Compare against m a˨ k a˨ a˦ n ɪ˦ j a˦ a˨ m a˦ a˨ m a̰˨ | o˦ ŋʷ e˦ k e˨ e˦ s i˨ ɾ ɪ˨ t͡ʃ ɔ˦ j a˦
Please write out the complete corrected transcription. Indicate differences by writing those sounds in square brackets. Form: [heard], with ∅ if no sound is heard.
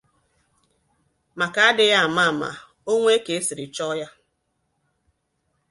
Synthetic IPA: m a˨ k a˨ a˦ [d] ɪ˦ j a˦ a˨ m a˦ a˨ m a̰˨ | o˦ ŋʷ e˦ k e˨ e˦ s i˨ ɾ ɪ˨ t͡ʃ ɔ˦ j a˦